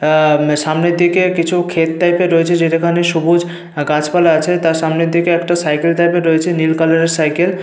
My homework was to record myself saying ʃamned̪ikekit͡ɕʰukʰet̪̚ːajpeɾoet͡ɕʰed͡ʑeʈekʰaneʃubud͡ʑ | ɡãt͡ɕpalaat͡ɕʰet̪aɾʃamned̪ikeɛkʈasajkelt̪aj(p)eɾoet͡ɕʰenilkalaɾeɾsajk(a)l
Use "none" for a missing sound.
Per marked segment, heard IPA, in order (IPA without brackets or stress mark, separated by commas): p, e